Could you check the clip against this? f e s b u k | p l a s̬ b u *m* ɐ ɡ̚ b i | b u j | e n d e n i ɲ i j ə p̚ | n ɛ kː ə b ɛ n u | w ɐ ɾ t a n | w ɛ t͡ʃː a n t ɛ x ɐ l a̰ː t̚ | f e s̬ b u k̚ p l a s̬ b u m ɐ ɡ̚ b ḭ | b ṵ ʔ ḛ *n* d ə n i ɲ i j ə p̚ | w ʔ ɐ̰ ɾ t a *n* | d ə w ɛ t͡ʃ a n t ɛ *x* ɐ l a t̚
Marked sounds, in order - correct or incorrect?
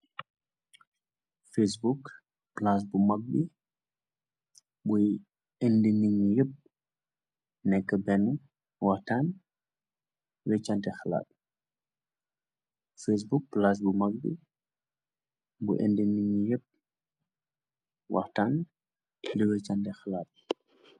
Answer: correct, correct, correct, correct

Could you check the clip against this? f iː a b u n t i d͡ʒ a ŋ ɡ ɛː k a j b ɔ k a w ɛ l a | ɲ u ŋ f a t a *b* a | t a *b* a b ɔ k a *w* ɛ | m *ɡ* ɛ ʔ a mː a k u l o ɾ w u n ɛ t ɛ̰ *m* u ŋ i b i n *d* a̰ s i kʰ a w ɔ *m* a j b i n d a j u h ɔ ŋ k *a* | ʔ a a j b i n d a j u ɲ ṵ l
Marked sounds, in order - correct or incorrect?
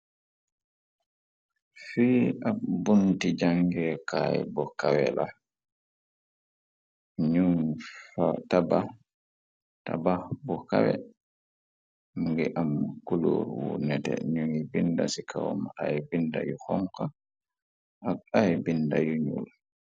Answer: correct, correct, correct, correct, incorrect, correct, correct, correct

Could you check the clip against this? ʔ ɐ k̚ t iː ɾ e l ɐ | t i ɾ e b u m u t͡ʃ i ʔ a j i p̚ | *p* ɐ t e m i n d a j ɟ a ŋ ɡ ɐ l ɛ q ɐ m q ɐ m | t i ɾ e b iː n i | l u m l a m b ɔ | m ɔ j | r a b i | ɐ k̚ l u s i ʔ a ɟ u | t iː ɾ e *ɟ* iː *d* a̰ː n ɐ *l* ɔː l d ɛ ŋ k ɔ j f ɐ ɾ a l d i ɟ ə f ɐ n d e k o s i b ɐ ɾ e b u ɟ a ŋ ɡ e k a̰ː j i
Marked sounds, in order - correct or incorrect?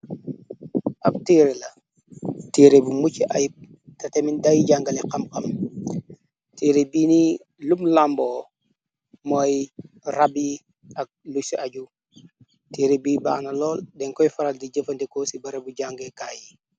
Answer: incorrect, incorrect, incorrect, correct

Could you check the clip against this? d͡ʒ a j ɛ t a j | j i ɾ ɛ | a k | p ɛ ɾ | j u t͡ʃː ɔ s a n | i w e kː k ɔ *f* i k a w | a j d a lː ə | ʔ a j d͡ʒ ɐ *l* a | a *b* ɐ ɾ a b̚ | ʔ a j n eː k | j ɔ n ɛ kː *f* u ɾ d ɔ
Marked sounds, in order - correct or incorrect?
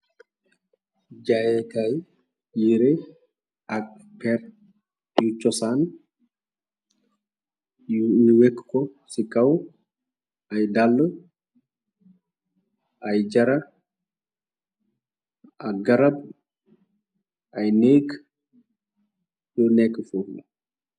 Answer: incorrect, incorrect, incorrect, correct

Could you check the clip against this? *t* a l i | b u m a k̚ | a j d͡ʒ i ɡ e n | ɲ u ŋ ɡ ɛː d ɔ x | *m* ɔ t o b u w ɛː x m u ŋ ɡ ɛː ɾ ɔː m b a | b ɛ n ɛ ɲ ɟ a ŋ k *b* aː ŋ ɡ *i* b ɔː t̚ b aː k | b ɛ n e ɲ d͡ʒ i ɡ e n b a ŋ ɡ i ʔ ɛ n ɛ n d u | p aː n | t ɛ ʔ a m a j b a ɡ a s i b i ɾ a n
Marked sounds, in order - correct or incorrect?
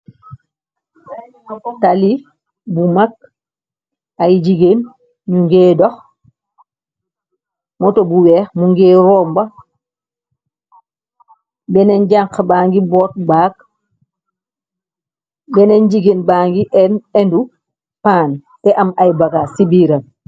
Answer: correct, correct, correct, correct

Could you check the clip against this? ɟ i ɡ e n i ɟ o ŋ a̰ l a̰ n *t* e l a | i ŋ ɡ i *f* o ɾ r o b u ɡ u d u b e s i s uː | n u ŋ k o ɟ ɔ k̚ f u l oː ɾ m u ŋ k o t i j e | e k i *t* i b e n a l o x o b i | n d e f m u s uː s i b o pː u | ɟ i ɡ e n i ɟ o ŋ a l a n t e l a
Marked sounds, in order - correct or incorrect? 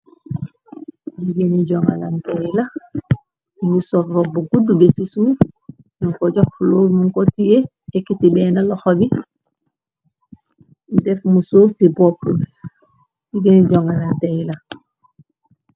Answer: correct, incorrect, correct

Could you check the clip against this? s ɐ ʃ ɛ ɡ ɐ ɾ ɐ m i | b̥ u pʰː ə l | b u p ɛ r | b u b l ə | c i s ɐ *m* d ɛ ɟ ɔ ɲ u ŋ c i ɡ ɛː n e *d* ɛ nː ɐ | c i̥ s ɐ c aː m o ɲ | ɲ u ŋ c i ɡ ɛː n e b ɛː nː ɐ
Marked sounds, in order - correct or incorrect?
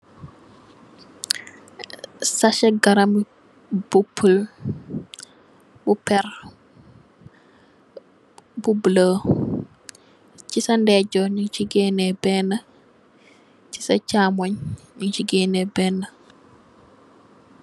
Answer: incorrect, incorrect

